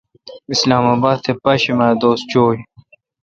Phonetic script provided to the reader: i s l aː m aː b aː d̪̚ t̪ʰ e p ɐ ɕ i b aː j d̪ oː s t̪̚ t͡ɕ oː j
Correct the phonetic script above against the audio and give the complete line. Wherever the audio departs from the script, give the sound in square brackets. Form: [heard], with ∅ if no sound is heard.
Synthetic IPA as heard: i s l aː m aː b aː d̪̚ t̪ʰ e p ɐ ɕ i [m] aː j d̪ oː s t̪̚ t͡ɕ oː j